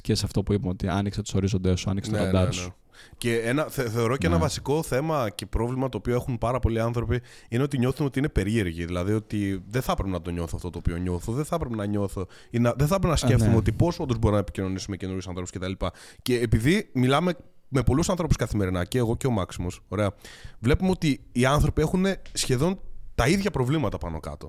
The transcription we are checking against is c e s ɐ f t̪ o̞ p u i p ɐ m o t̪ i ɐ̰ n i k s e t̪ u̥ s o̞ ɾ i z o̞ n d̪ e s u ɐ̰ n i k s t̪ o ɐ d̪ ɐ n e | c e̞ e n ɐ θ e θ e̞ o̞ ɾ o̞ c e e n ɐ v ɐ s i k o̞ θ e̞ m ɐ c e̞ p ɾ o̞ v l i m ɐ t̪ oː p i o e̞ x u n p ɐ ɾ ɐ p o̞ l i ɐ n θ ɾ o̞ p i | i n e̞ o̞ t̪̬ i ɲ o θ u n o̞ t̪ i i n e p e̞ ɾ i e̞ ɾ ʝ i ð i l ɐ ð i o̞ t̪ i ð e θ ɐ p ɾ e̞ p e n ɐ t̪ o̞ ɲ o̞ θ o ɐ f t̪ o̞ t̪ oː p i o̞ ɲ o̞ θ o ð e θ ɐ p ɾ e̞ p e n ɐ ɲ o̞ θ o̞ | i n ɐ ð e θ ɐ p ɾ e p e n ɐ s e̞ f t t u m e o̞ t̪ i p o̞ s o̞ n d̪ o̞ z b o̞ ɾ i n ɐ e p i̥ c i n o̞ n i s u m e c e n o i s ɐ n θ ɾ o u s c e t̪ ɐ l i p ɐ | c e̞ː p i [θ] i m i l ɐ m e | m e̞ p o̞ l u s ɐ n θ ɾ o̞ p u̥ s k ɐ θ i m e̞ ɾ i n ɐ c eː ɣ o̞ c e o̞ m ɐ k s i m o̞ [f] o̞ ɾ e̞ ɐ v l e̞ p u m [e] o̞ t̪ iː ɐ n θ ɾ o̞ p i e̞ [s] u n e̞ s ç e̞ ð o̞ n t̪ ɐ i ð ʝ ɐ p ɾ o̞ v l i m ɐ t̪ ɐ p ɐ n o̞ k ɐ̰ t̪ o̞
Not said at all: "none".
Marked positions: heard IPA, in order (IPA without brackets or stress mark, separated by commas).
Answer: ð, s, e, x